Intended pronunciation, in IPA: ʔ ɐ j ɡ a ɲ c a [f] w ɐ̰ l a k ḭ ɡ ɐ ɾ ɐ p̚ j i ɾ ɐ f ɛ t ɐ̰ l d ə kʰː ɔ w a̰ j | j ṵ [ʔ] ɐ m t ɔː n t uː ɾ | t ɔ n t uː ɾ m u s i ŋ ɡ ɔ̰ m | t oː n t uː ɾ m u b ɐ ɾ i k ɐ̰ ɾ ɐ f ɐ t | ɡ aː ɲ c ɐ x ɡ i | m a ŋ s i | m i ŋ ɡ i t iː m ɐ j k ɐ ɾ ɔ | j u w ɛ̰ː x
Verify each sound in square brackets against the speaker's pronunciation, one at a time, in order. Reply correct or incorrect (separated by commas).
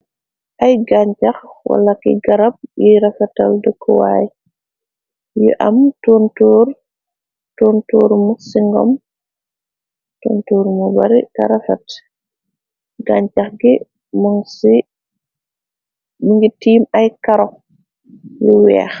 incorrect, correct